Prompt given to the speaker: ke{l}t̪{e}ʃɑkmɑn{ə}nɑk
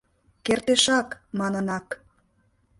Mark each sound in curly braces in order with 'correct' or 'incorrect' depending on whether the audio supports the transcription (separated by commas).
incorrect, correct, correct